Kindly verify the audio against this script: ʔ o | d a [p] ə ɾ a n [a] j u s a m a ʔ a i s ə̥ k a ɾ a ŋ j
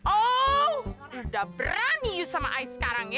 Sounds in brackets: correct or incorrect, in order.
incorrect: b, incorrect: i

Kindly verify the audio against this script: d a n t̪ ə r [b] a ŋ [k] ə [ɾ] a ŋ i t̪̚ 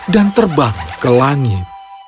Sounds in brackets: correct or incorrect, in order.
correct, correct, incorrect: l

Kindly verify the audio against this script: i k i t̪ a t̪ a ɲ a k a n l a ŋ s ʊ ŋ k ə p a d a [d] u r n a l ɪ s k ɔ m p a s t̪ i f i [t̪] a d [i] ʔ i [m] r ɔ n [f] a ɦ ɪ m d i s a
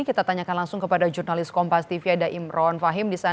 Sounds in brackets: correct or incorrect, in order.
incorrect: d͡ʒ, incorrect: none, incorrect: a, correct, correct

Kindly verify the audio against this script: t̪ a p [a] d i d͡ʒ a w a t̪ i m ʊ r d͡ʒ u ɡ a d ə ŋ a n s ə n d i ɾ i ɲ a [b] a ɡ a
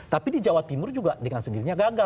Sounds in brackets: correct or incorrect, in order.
incorrect: i, incorrect: ɡ

